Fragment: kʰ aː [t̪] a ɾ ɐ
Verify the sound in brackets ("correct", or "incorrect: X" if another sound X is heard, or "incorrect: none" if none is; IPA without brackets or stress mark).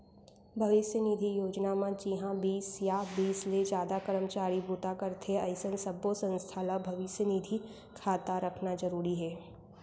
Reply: correct